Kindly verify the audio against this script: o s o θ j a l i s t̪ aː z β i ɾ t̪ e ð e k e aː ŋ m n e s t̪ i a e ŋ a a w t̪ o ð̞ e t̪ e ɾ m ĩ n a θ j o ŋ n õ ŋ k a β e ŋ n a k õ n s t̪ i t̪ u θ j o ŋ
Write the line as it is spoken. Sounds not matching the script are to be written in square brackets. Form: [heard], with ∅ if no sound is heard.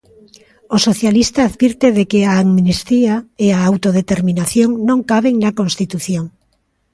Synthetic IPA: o s o θ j a l i s t̪ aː [ð] β i ɾ t̪ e ð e k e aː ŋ m n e s t̪ i a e [∅] a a w t̪ o ð̞ e t̪ e ɾ m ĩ n a θ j o ŋ n õ ŋ k a β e ŋ n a k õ n s t̪ i t̪ u θ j o ŋ